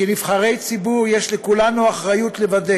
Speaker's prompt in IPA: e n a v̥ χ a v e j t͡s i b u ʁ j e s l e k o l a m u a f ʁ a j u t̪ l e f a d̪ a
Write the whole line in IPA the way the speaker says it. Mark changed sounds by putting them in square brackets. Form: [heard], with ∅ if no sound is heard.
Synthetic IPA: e n [i] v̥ χ a [ʁ] e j t͡s i b u ʁ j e [ʃ] l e k [u] l a [n] u a [χ] ʁ a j u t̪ l e [v] a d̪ [e]